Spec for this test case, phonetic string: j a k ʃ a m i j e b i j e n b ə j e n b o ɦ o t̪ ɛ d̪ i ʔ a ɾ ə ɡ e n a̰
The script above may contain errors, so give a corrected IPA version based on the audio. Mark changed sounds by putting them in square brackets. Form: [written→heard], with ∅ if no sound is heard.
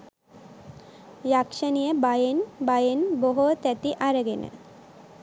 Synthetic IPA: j a k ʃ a [m→n] i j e b [i→a] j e n b [ə→a] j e n b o ɦ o t̪ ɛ [d̪→t̪] i ʔ a ɾ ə ɡ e n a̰